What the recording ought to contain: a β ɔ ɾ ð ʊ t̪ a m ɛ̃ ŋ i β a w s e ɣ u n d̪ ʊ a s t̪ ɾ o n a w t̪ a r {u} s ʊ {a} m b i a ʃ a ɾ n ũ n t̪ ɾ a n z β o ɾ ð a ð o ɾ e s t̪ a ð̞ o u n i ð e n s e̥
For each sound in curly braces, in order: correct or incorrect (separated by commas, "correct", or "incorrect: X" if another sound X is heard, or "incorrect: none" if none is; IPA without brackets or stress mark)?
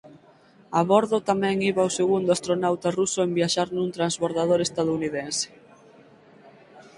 correct, incorrect: e